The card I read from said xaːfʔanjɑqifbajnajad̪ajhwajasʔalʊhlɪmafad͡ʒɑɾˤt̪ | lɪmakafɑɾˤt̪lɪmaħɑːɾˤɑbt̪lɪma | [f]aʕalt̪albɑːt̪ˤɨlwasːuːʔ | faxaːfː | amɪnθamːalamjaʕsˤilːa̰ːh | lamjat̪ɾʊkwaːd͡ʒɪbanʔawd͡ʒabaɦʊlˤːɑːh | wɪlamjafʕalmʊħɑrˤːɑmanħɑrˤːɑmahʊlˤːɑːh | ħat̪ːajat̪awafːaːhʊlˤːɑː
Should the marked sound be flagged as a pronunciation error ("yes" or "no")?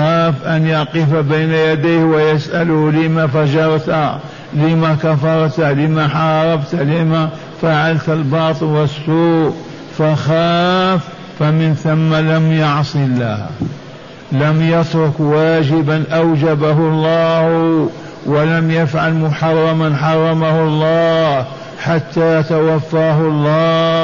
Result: no